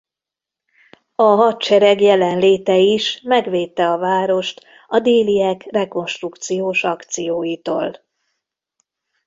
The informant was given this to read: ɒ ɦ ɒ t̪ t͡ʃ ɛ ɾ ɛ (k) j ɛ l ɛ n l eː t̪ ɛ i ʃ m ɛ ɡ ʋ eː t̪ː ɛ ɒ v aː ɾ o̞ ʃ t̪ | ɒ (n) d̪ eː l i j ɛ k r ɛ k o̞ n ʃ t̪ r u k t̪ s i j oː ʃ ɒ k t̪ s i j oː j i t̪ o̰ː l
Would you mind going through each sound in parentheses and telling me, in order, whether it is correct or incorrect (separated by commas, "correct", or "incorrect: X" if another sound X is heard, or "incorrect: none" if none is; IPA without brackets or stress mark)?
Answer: incorrect: ɡ, incorrect: none